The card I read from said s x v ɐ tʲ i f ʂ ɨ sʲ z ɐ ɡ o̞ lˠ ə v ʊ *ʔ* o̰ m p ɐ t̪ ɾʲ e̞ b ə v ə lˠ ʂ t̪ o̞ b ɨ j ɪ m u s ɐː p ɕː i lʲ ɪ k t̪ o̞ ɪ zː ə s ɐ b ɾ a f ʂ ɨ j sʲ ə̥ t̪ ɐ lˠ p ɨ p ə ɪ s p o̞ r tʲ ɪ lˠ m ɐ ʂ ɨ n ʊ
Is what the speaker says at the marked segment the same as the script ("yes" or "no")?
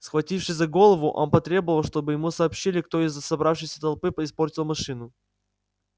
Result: yes